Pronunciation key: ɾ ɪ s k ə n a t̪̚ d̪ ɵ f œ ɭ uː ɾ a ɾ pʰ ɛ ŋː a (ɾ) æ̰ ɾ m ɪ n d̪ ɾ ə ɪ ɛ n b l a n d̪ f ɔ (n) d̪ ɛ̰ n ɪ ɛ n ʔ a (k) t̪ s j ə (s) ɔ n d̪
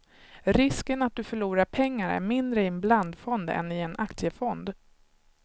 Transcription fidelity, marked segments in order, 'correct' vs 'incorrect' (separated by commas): correct, correct, correct, incorrect